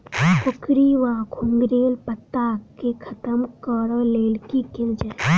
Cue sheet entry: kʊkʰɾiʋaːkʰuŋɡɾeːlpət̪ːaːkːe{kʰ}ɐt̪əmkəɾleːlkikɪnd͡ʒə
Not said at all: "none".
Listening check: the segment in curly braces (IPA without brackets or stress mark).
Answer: kʰ